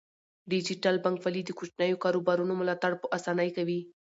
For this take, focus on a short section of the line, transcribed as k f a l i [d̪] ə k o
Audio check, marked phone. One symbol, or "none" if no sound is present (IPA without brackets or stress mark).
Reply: d̪